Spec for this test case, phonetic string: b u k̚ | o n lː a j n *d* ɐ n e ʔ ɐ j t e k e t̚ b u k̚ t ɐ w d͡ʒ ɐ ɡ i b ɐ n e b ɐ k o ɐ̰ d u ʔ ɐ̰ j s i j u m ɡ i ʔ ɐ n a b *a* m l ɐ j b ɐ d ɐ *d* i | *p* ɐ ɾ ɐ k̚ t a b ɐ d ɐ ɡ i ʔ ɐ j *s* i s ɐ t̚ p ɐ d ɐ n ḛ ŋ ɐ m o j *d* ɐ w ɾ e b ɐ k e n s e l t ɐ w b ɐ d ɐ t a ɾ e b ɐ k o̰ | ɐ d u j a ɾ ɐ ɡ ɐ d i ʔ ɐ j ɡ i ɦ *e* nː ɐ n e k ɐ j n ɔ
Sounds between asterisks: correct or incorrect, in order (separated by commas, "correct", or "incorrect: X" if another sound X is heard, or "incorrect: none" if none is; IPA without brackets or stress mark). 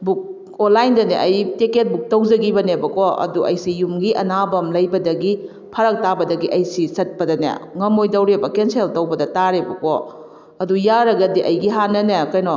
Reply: correct, incorrect: ɐ, incorrect: ɡ, incorrect: pʰ, correct, correct, incorrect: a